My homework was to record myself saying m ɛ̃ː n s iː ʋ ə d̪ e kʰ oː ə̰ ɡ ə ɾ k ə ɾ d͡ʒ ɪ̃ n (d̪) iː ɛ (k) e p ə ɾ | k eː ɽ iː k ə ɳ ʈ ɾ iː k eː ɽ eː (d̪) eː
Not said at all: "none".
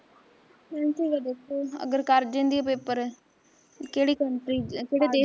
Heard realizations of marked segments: d̪, p, d̪

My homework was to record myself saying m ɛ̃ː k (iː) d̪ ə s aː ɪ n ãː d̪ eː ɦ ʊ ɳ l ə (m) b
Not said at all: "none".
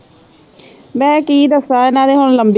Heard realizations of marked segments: iː, m

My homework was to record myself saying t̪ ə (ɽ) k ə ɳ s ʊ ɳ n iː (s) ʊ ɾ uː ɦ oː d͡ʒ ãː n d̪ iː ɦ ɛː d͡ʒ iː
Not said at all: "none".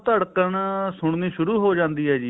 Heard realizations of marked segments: ɽ, ʃ

